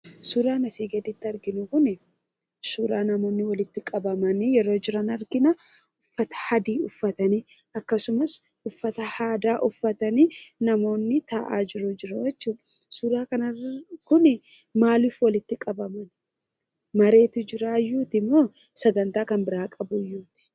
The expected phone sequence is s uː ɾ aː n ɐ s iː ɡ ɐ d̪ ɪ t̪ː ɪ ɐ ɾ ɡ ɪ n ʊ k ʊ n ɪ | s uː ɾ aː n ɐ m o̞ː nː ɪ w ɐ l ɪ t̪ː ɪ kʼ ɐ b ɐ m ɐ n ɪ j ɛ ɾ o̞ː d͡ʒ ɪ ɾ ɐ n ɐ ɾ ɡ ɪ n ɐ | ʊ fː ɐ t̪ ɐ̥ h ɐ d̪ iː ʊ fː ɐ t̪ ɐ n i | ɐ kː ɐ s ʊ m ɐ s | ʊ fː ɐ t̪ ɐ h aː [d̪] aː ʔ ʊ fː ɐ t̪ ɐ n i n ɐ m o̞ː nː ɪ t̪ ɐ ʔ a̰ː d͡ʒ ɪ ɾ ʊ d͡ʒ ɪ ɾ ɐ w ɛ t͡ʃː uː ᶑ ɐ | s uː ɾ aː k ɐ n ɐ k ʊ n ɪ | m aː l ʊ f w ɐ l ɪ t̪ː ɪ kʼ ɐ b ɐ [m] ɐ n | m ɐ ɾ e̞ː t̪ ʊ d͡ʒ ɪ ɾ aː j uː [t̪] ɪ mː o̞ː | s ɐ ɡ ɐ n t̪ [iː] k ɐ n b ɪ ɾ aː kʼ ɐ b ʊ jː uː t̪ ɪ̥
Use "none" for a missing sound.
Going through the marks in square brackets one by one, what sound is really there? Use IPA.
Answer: d̪, m, t̪, aː

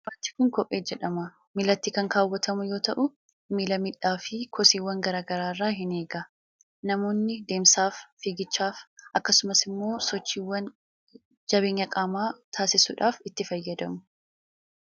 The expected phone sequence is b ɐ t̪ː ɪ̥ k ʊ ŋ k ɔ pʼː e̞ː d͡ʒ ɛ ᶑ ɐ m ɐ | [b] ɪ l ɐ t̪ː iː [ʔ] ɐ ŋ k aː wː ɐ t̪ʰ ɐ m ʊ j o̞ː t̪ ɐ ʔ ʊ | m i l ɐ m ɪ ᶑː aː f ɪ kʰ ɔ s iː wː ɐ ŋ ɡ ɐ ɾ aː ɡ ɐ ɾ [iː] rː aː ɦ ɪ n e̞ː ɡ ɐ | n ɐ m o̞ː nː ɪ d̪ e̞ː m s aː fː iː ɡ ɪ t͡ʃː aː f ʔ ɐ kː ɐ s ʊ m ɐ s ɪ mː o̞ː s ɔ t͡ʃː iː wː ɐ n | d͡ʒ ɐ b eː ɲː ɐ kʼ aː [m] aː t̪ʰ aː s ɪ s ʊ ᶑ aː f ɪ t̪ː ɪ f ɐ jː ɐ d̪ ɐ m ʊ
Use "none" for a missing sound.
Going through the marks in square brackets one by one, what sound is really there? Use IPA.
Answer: m, k, aː, m

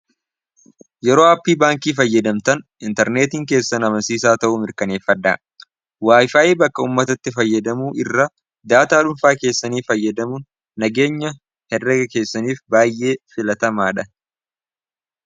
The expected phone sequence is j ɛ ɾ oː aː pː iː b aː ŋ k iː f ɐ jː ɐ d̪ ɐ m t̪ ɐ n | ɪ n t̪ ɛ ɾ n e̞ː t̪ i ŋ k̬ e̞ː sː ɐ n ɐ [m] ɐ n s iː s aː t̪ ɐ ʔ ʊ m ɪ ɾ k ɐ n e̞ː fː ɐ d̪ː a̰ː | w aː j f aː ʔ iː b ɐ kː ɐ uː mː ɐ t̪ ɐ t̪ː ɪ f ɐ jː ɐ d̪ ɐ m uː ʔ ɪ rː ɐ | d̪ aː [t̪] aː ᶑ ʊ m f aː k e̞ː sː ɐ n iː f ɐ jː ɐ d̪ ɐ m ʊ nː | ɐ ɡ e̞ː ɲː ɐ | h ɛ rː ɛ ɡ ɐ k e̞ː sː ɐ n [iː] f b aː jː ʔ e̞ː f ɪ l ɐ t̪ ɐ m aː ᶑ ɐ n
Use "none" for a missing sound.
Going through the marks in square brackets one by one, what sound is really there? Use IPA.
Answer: m, t̪, iː

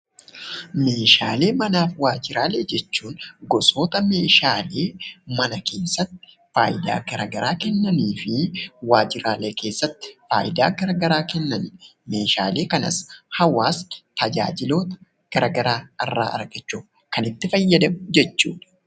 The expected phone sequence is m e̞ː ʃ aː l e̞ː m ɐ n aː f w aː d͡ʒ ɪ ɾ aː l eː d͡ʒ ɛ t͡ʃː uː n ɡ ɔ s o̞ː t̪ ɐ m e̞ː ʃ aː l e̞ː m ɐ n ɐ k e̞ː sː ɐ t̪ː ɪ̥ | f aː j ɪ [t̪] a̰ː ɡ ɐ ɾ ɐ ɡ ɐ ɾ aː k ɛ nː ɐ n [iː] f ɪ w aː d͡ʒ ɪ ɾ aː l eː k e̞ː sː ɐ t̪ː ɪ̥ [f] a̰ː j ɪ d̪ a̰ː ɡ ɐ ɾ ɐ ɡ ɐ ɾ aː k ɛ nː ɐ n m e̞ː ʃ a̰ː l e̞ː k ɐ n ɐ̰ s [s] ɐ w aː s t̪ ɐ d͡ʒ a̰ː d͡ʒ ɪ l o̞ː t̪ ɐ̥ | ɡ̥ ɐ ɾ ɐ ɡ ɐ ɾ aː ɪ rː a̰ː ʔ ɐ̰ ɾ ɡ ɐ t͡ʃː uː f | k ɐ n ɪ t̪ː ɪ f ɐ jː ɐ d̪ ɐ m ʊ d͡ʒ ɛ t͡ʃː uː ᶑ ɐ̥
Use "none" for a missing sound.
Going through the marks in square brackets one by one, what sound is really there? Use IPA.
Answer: d̪, iː, f, h

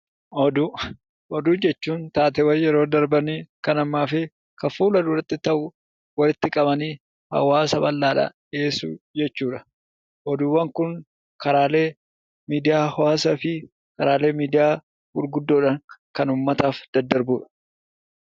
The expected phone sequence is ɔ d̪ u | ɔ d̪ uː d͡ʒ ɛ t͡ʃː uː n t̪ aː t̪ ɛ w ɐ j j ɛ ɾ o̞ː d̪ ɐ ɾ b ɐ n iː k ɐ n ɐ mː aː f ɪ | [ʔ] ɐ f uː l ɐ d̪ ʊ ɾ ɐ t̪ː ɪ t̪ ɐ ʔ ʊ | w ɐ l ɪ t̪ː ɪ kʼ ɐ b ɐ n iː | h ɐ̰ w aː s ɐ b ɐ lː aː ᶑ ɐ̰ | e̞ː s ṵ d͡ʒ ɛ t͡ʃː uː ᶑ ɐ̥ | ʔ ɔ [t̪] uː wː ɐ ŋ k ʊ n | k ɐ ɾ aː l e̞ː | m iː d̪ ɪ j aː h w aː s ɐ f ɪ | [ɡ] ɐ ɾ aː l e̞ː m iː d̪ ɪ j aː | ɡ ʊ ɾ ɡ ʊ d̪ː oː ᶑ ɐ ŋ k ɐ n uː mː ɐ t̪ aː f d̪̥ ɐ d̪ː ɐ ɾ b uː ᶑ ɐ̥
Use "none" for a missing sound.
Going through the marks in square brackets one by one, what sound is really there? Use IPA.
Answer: k, d̪, k

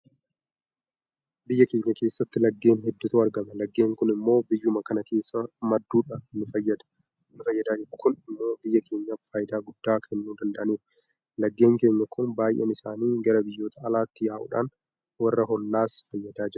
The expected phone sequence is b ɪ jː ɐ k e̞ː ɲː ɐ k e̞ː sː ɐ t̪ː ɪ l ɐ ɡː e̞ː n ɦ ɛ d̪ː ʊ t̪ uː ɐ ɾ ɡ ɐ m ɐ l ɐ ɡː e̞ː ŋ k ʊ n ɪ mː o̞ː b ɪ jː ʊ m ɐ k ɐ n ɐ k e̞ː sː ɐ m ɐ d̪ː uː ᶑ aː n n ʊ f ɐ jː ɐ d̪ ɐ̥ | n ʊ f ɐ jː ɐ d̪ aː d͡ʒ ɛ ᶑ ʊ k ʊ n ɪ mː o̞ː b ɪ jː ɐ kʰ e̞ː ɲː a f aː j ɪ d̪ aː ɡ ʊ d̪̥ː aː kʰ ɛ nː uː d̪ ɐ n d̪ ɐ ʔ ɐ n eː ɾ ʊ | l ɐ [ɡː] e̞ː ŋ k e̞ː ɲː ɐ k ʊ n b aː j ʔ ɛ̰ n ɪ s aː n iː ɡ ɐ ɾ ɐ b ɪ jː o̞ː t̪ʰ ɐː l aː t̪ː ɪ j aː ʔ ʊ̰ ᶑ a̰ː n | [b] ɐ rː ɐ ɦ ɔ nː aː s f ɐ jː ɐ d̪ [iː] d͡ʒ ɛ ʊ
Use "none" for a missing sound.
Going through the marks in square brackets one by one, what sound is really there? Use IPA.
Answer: ɡː, w, aː

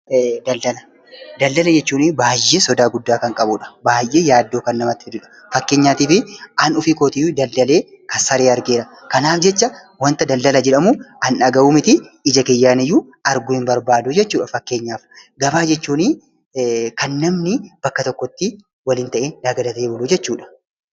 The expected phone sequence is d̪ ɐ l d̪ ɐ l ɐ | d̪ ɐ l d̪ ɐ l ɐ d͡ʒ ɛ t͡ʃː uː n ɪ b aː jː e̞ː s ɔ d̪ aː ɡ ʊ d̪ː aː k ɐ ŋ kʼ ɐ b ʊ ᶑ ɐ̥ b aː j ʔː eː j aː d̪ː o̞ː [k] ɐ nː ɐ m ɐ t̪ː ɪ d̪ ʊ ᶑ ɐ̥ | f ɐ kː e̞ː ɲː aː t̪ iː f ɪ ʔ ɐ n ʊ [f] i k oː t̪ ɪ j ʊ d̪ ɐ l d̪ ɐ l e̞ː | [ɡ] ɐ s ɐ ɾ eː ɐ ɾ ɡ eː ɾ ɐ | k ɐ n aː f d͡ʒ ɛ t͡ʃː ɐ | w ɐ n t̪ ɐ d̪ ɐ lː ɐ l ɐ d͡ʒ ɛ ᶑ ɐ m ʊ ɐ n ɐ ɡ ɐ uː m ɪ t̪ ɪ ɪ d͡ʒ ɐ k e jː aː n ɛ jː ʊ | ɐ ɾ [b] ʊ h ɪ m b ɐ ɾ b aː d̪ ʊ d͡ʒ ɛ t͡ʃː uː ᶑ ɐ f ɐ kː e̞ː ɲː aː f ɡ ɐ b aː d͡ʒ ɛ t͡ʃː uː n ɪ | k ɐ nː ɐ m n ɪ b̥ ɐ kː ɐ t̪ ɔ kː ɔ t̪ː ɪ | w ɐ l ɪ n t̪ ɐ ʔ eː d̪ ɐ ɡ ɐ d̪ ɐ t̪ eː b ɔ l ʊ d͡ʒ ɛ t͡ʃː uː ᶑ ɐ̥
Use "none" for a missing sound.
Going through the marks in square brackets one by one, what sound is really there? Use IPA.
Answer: k, f, k, ɡ

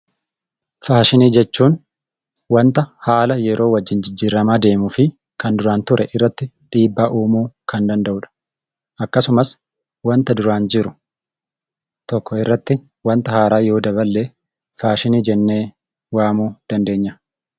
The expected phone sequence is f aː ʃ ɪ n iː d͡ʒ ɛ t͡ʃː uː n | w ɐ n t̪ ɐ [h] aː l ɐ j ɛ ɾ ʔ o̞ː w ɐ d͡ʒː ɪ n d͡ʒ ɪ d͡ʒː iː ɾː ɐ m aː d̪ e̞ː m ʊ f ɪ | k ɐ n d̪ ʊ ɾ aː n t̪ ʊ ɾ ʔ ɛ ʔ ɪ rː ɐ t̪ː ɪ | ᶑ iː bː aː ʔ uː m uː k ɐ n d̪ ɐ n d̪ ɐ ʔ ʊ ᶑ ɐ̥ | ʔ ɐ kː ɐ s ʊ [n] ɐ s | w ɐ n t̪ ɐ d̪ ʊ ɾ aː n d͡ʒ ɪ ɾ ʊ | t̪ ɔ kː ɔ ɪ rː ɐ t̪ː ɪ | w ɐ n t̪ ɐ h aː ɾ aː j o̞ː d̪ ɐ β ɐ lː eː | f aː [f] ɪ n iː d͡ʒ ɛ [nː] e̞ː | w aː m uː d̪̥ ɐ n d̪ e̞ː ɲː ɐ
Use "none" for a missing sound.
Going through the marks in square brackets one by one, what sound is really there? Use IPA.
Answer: h, m, ʃ, nː

